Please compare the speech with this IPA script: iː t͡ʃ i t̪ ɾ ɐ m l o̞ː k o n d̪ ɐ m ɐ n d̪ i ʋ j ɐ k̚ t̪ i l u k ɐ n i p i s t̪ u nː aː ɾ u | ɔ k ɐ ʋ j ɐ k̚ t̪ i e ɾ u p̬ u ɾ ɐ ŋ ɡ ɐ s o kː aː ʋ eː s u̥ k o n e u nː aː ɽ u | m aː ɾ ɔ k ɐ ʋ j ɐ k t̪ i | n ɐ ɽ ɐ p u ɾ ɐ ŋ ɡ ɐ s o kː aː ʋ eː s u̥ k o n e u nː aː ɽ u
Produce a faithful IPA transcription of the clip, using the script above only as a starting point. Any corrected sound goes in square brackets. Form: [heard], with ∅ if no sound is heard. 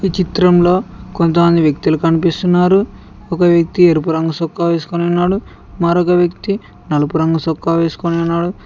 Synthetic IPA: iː t͡ʃ i t̪ ɾ ɐ m l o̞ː k o n [t̪] ɐ m ɐ n d̪ i ʋ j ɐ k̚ t̪ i l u k ɐ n i p i s t̪ u nː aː ɾ u | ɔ k ɐ ʋ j ɐ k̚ t̪ i e ɾ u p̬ u ɾ ɐ ŋ ɡ ɐ s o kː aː ʋ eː s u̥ k o n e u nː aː ɽ u | m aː ɾ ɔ k ɐ ʋ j ɐ k t̪ i | n ɐ [l] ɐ p u ɾ ɐ ŋ ɡ ɐ s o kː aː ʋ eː s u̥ k o n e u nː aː ɽ u

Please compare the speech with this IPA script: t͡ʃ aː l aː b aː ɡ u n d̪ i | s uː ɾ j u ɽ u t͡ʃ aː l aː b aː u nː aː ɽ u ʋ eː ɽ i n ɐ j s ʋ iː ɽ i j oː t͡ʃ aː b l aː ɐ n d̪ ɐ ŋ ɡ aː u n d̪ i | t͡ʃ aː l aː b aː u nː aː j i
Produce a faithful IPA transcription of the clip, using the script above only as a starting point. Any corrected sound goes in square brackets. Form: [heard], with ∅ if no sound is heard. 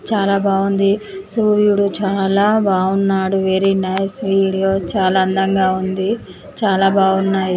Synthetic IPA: t͡ʃ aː l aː b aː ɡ u n d̪ i | s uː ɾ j u ɽ u t͡ʃ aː l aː b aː u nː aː ɽ u ʋ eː [ɾ] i n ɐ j s ʋ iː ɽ i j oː t͡ʃ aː [∅] l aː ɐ n d̪ ɐ ŋ ɡ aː u n d̪ i | t͡ʃ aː l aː b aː u nː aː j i

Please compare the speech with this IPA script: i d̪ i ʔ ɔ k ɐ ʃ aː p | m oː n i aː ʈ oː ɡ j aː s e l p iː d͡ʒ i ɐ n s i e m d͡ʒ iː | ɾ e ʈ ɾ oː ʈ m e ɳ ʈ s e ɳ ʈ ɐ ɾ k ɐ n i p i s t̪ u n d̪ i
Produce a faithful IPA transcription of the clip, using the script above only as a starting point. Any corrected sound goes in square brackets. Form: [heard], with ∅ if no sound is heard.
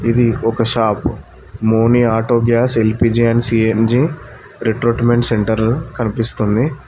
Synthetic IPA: i d̪ i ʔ ɔ k ɐ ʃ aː p | m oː n i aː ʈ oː ɡ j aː s e l p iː d͡ʒ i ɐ n s i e [n] d͡ʒ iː | ɾ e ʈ ɾ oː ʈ m e ɳ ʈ s e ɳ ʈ ɐ ɾ k ɐ n i p i s t̪ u n d̪ i

